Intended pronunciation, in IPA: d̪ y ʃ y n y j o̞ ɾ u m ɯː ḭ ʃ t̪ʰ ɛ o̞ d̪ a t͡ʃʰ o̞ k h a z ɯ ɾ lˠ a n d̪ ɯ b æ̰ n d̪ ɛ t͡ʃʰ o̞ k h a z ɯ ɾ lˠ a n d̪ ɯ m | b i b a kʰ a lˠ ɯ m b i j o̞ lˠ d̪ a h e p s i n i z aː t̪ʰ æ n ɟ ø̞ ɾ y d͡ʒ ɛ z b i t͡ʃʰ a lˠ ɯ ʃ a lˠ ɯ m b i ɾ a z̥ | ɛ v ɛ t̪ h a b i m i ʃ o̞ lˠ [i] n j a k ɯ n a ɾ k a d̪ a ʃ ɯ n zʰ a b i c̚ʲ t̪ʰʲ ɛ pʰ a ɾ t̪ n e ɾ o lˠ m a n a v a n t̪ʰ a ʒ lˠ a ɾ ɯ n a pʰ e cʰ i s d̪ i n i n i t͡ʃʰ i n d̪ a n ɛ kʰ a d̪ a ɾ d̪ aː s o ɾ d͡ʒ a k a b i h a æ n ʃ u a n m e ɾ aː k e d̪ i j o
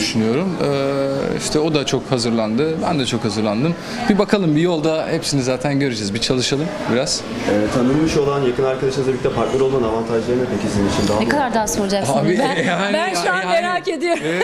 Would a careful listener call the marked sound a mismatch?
yes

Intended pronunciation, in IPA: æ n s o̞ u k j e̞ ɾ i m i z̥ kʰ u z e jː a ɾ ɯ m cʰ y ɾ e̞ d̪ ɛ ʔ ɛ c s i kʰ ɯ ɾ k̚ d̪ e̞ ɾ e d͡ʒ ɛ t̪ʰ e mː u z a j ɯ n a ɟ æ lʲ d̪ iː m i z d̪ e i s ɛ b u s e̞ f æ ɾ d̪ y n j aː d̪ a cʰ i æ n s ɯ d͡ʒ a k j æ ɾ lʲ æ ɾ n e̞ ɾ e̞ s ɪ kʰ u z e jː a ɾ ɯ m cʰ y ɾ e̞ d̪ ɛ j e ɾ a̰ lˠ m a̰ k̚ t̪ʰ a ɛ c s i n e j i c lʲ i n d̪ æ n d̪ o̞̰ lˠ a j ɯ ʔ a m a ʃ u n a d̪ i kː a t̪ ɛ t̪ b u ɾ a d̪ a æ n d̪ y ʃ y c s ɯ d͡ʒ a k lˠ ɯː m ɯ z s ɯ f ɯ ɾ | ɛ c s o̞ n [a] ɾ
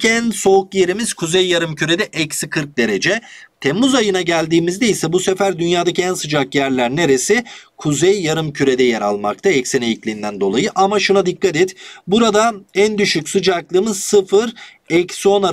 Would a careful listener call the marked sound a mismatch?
no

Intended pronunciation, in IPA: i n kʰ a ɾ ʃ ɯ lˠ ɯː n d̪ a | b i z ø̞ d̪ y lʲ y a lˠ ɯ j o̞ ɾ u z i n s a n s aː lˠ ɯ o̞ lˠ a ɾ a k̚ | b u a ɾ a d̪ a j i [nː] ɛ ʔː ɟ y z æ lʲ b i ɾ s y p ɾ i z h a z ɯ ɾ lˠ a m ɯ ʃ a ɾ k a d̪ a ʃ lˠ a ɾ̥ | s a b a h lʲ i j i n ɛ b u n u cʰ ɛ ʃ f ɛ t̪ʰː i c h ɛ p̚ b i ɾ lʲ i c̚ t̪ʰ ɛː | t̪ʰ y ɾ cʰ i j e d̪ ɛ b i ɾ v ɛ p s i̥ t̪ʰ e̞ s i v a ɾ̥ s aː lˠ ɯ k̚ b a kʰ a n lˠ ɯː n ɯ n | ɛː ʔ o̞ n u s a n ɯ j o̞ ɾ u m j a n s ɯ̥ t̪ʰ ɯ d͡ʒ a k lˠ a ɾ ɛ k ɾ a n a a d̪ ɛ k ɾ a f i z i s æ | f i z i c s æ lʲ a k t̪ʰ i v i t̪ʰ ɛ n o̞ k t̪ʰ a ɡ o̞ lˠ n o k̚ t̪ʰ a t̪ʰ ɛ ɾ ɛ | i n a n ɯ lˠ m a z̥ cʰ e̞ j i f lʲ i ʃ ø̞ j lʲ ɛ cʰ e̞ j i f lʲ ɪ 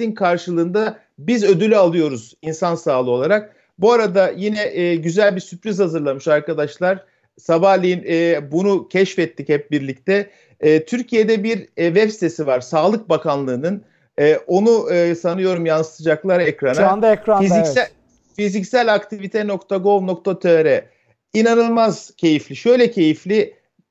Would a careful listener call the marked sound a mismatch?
yes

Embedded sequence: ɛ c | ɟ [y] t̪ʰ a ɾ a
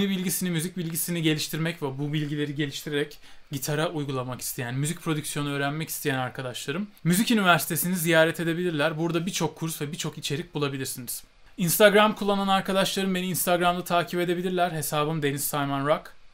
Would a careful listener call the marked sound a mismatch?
yes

